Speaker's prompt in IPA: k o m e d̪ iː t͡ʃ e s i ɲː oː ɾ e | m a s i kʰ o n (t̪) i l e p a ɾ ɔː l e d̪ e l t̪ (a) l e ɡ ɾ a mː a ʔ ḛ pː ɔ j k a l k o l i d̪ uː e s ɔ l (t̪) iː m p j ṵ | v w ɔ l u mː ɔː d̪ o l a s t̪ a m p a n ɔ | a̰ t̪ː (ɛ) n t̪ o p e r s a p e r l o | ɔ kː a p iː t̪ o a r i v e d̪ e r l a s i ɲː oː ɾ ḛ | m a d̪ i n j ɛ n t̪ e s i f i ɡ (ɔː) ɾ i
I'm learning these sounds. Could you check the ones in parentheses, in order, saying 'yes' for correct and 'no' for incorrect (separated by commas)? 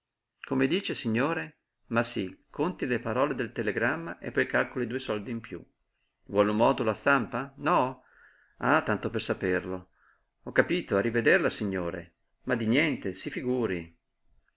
yes, no, no, no, no